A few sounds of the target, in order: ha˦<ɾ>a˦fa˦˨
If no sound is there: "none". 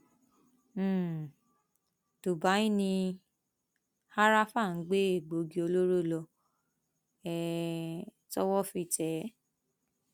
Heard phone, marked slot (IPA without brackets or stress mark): ɾ